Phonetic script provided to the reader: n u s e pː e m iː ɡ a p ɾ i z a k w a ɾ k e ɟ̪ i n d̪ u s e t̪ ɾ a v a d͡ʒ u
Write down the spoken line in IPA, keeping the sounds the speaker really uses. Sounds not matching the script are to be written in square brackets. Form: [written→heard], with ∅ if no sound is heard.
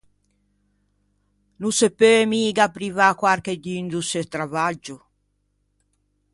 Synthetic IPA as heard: n u s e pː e m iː ɡ a p ɾ i [z→v] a k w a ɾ k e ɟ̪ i n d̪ u s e t̪ ɾ a v a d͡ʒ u